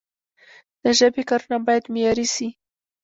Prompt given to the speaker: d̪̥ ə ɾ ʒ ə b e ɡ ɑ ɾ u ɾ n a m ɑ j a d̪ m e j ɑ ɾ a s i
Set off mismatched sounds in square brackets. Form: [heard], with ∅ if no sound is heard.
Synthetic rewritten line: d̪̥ ə [∅] ʒ ə b e [k] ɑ ɾ u [∅] n a [b] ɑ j a d̪ m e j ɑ ɾ [i] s i